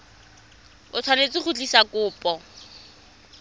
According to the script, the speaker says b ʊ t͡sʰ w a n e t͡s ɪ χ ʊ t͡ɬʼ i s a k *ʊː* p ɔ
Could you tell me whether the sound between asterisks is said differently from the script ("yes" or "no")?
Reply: no